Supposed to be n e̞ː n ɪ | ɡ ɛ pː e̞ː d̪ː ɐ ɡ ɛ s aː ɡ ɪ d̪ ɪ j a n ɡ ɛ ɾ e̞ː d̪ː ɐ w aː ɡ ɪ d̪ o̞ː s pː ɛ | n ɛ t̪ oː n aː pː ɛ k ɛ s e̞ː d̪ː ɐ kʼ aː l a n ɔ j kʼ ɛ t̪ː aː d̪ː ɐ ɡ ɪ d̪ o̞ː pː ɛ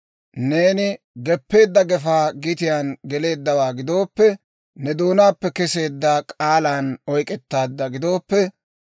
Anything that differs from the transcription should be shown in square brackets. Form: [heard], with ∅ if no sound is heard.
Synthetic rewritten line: n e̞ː n ɪ | ɡ ɛ pː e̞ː d̪ː ɐ ɡ ɛ [f] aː ɡ ɪ [t̪] ɪ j a n ɡ ɛ [l] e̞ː d̪ː ɐ w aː ɡ ɪ d̪ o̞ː [∅] pː ɛ | n ɛ [d̪] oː n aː pː ɛ k ɛ s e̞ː d̪ː ɐ kʼ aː l a n ɔ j kʼ ɛ t̪ː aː d̪ː ɐ ɡ ɪ d̪ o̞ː pː ɛ

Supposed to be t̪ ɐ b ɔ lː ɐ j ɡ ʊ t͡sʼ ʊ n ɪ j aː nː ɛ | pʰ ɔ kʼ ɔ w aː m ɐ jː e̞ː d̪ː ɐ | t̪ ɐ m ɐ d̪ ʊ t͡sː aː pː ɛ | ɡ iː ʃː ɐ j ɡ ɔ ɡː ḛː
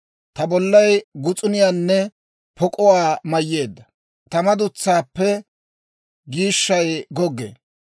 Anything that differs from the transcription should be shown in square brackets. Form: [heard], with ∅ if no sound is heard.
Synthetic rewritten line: t̪ ɐ b ɔ lː ɐ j ɡ ʊ t͡sʼ ʊ n ɪ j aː nː ɛ | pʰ ɔ kʼ ɔ w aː m ɐ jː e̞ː d̪ː ɐ | t̪ ɐ m ɐ d̪ ʊ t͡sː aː pː ɛ | ɡ iː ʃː ɐ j ɡ ɔ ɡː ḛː

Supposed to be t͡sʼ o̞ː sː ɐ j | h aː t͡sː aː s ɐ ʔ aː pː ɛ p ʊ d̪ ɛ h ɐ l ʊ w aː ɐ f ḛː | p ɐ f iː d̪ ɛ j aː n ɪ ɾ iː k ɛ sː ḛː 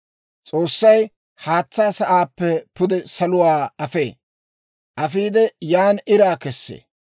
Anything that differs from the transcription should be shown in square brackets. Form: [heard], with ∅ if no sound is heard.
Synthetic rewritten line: t͡sʼ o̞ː sː ɐ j | h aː t͡sː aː s ɐ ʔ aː pː ɛ p ʊ d̪ ɛ [s] ɐ l ʊ w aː ɐ f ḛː | [ʔ] ɐ f iː d̪ ɛ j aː n ɪ ɾ [aː] k ɛ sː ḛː

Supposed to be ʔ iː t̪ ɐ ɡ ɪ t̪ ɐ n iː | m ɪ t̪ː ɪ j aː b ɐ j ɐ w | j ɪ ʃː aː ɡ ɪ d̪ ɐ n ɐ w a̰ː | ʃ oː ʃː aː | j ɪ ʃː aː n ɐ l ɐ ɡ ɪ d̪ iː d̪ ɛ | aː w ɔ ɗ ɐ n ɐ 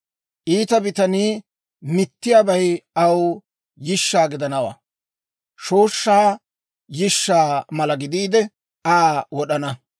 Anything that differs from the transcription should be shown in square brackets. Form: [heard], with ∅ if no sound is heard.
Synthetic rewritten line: ʔ iː t̪ ɐ [b] ɪ t̪ ɐ n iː | m ɪ t̪ː ɪ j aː b ɐ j ɐ w | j ɪ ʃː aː ɡ ɪ d̪ ɐ n ɐ w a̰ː | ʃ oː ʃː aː | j ɪ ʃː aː [m] ɐ l ɐ ɡ ɪ d̪ iː d̪ ɛ | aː w ɔ ɗ ɐ n ɐ

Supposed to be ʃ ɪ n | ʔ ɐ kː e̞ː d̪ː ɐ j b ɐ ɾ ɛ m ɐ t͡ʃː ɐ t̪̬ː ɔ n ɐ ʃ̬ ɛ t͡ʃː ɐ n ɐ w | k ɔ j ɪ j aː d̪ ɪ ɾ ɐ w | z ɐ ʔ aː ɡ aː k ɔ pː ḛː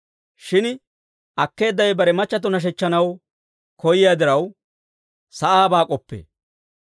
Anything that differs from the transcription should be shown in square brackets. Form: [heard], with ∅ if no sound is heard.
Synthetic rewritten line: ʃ ɪ n | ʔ ɐ kː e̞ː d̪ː ɐ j b ɐ ɾ ɛ m ɐ t͡ʃː ɐ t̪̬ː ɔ n ɐ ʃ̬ ɛ t͡ʃː ɐ n ɐ w | k ɔ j ɪ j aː d̪ ɪ ɾ ɐ w | [s] ɐ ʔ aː [b] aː [kʼ] ɔ pː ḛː

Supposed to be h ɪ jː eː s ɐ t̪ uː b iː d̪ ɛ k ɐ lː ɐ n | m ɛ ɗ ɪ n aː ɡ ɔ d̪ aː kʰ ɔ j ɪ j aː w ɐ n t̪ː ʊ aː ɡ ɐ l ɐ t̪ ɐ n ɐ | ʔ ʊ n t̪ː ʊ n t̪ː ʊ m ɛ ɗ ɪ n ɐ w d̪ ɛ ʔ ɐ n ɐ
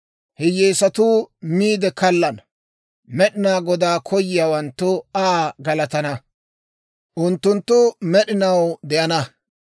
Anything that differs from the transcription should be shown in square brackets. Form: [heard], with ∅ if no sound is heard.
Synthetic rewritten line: h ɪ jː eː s ɐ t̪ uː [m] iː d̪ ɛ k ɐ lː ɐ n | m ɛ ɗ ɪ n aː ɡ ɔ d̪ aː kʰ ɔ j ɪ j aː w ɐ n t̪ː ʊ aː ɡ ɐ l ɐ t̪ ɐ n ɐ | ʔ ʊ n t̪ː ʊ n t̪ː ʊ m ɛ ɗ ɪ n ɐ w d̪ ɛ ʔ ɐ n ɐ

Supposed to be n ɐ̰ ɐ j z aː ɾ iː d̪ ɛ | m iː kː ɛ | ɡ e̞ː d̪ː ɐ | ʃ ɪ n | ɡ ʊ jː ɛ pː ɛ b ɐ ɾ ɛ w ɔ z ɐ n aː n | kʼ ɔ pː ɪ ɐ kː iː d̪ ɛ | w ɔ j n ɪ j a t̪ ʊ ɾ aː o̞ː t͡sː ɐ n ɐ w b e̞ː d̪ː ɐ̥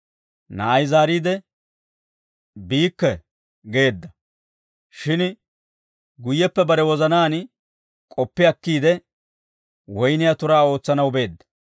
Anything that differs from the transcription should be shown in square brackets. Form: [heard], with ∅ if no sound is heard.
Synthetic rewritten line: n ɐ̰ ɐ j z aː ɾ iː d̪ ɛ | [b] iː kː ɛ | ɡ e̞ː d̪ː ɐ | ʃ ɪ n | ɡ ʊ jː ɛ pː ɛ b ɐ ɾ ɛ w ɔ z ɐ n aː n | kʼ ɔ pː ɪ ɐ kː iː d̪ ɛ | w ɔ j n ɪ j a t̪ ʊ ɾ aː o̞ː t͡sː ɐ n ɐ w b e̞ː d̪ː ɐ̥

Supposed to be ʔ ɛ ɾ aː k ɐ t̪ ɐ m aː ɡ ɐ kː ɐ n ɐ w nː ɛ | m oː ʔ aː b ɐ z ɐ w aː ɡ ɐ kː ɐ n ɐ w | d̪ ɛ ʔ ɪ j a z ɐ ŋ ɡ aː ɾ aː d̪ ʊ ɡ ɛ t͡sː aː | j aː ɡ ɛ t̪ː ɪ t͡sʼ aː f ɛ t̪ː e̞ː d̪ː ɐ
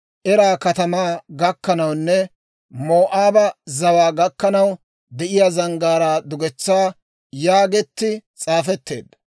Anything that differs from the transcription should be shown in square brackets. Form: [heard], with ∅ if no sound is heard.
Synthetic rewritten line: ʔ ɛ ɾ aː k ɐ t̪ ɐ m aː ɡ ɐ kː ɐ n ɐ w nː ɛ | m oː ʔ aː b ɐ z ɐ w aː ɡ ɐ kː ɐ n ɐ w | d̪ ɛ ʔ ɪ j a z ɐ ŋ ɡ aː ɾ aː d̪ ʊ ɡ ɛ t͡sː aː | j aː ɡ ɛ t̪ː ɪ t͡sʼ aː f ɛ t̪ː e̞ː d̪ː ɐ

